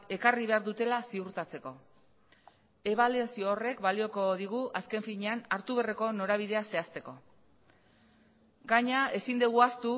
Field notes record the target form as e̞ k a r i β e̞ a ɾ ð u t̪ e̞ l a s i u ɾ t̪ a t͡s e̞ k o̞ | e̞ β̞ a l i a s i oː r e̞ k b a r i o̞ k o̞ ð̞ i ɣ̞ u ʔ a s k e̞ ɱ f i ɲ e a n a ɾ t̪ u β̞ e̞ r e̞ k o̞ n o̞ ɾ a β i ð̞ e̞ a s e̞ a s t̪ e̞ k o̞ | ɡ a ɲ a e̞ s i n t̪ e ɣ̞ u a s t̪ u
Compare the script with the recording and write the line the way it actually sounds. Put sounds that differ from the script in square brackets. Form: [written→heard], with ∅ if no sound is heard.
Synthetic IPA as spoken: e̞ k a r i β e̞ a ɾ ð u t̪ e̞ l a s i u ɾ t̪ a t͡s e̞ k o̞ | e̞ β̞ a l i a s i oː r e̞ k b a [r→l] i o̞ k o̞ ð̞ i ɣ̞ u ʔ a s k e̞ ɱ f i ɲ e a n a ɾ t̪ u β̞ e̞ r e̞ k o̞ n o̞ ɾ a β i ð̞ e̞ a s e̞ a s t̪ e̞ k o̞ | ɡ a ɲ a e̞ s i n [t̪→d̪] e ɣ̞ u a s t̪ u